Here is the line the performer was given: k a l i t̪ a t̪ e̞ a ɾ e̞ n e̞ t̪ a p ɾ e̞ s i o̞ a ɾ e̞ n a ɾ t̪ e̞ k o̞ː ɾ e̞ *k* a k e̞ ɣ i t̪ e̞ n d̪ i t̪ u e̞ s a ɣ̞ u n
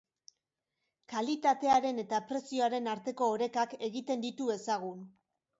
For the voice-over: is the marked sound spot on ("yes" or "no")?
yes